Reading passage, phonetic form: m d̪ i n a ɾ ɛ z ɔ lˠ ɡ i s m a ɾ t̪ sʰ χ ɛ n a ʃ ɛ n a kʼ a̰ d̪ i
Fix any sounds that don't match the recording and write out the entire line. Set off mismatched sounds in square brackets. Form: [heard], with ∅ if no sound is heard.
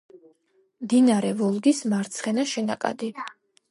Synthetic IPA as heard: m d̪ i n a ɾ ɛ [v] ɔ lˠ ɡ i s m a ɾ t̪ sʰ χ ɛ n a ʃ ɛ n a kʼ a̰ d̪ i